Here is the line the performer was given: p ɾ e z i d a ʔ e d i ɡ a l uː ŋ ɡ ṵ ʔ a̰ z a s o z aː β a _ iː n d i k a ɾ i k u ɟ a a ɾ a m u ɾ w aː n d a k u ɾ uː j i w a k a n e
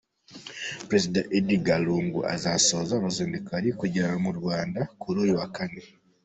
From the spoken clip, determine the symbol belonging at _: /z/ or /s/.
z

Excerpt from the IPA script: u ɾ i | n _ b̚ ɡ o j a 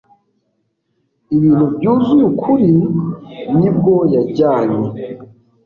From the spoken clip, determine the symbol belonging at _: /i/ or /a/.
i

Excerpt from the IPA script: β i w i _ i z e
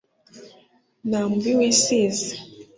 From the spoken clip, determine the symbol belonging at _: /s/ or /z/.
s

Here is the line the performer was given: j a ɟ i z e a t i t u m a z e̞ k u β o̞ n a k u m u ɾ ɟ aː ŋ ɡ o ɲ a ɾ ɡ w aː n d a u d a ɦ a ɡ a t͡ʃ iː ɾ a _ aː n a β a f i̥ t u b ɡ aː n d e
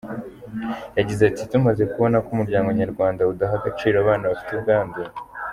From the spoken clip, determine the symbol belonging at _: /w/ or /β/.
β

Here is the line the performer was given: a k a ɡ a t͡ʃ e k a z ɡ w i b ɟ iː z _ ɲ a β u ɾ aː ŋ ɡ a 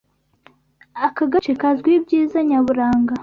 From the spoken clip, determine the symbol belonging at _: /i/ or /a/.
a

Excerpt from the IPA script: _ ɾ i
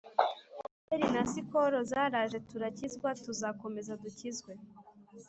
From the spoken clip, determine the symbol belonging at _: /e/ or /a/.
e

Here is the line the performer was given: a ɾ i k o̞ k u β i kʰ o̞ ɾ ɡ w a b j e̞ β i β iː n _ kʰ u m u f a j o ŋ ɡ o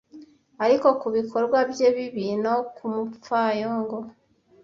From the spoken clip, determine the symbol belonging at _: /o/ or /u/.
o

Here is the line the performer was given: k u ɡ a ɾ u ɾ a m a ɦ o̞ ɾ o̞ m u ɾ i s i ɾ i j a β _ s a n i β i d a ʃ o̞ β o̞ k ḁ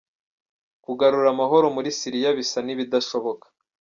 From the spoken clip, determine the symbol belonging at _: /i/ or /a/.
i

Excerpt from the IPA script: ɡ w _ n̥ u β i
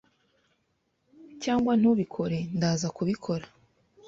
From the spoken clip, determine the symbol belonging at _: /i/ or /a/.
a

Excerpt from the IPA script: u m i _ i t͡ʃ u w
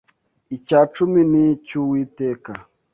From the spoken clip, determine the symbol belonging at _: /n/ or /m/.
n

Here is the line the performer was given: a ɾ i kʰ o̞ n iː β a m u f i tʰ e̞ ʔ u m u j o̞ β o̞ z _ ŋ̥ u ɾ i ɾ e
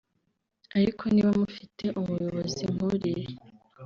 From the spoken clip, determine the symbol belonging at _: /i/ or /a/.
i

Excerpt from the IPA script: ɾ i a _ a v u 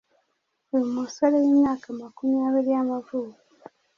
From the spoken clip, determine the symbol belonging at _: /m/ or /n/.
m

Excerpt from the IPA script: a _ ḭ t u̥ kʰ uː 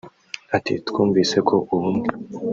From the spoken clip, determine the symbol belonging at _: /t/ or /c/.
t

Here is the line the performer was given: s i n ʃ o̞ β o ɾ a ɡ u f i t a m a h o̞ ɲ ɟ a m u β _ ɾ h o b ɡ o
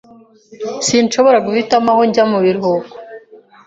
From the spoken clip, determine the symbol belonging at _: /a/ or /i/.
i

